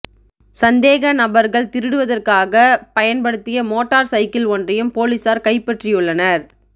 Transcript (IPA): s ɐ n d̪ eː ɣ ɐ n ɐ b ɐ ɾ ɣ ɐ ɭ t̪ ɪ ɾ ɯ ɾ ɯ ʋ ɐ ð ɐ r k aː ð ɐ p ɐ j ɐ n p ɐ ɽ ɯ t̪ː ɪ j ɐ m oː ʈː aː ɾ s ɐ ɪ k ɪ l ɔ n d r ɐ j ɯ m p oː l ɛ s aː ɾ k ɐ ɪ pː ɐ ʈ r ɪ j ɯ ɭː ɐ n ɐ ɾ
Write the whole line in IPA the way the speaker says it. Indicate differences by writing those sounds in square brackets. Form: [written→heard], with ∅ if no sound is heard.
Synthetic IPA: s ɐ n d̪ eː ɣ ɐ n ɐ b ɐ ɾ ɣ ɐ ɭ t̪ ɪ ɾ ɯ [ɾ→ɽ] ɯ ʋ ɐ ð ɐ r k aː [ð→ɣ] ɐ p ɐ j ɐ n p ɐ ɽ ɯ t̪ː ɪ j ɐ m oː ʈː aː ɾ s ɐ ɪ k ɪ l ɔ n d r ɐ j ɯ m p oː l [ɛ→i] s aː ɾ k ɐ ɪ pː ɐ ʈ r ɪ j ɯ ɭː ɐ n ɐ ɾ